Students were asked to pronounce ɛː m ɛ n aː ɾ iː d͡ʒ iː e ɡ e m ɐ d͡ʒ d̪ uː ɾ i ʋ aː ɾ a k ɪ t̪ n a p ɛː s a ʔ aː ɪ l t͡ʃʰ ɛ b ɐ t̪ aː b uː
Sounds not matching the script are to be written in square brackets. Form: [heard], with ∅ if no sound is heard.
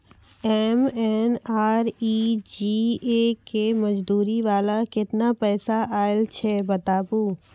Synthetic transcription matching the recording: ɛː m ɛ n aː ɾ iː d͡ʒ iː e [k] e m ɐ d͡ʒ d̪ uː ɾ i ʋ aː [l] a k ɪ t̪ n a p ɛː s a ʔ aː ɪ l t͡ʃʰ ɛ b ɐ t̪ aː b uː